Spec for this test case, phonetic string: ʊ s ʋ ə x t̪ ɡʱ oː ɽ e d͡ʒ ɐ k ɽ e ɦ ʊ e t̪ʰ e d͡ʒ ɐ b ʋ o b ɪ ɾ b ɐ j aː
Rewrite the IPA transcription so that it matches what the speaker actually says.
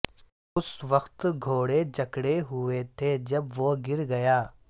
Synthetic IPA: ʊ s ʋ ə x t̪ ɡʱ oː ɽ e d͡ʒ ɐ k ɽ e ɦ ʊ e t̪ʰ e d͡ʒ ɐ b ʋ o ɡ ɪ ɾ ɡ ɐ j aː